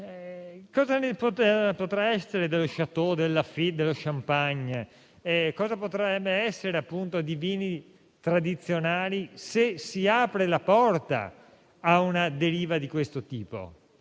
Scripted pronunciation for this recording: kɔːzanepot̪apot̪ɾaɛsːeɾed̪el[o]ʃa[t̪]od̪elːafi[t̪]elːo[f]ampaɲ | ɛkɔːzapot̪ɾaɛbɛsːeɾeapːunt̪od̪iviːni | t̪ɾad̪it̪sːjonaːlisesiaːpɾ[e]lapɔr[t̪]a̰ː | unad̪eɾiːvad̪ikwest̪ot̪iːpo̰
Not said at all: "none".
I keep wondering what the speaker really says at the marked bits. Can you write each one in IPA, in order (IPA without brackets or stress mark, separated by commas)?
o, t̪, d̪, ʃ, e, t̪